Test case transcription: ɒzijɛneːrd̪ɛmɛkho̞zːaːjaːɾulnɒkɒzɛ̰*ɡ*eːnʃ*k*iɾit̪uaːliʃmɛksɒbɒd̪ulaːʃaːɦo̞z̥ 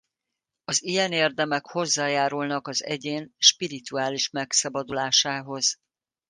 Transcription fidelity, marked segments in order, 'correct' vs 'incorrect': incorrect: ɟ, incorrect: p

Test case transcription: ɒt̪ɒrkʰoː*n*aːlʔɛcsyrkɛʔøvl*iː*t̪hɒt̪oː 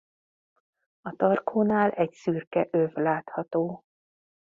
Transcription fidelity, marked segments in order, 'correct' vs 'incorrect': correct, incorrect: aː

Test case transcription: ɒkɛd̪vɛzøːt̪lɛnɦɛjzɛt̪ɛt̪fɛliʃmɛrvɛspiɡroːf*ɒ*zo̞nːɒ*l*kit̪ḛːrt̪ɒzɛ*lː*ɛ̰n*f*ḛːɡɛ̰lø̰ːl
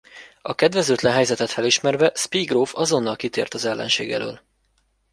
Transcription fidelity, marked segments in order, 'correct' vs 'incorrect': correct, correct, correct, incorrect: ʃ

